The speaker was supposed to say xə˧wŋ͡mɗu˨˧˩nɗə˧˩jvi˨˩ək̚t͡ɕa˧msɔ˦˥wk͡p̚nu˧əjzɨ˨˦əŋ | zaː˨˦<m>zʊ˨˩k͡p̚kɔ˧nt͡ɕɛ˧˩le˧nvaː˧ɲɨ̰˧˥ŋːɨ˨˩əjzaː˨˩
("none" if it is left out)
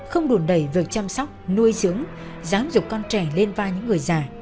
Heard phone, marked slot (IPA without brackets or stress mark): m